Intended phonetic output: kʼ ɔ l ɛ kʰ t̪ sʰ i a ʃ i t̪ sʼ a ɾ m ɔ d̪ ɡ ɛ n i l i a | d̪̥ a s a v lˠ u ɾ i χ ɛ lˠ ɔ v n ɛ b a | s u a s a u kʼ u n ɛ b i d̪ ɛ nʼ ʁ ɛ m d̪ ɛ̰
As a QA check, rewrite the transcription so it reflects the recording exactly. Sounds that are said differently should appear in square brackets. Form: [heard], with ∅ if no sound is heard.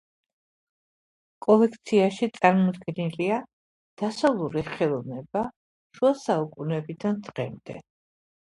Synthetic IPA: kʼ ɔ l ɛ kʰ t̪ sʰ i a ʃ i t̪ sʼ a ɾ m ɔ d̪ ɡ ɛ n i l i a | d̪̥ a s a v lˠ u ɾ i χ ɛ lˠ ɔ v n ɛ b a | [ʃ] u a s a u kʼ u n ɛ b i d̪ [a] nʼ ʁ ɛ m d̪ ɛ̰